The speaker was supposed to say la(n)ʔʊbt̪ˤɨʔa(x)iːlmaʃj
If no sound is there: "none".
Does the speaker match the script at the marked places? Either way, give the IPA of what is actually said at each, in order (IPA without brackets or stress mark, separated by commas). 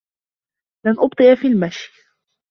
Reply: n, f